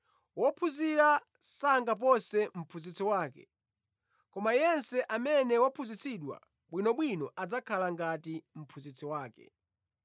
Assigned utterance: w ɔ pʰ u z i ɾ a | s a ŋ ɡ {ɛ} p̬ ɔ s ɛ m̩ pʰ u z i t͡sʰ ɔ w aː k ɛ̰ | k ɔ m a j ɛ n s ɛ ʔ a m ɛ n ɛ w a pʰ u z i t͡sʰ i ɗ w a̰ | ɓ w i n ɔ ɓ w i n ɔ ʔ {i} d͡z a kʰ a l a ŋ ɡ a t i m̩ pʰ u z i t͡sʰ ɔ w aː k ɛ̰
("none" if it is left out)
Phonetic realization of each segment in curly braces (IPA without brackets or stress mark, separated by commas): a, a